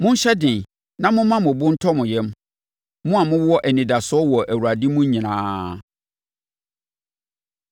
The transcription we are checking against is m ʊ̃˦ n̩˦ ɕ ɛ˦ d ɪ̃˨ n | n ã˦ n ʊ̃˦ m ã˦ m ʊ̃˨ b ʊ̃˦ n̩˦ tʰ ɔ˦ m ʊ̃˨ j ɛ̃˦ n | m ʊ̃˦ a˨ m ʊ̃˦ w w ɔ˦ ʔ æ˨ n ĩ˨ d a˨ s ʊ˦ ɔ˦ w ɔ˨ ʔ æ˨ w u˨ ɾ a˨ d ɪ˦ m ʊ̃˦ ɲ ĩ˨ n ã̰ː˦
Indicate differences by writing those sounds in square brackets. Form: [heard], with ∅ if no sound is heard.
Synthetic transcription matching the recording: m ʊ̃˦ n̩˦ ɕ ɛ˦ d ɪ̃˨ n | n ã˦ [m] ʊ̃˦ m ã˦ m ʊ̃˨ b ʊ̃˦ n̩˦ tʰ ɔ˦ m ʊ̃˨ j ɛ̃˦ [m] | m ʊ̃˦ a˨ m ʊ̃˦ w w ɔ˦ ʔ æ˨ n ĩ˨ d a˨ s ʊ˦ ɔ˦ w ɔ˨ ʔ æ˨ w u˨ ɾ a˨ d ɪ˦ m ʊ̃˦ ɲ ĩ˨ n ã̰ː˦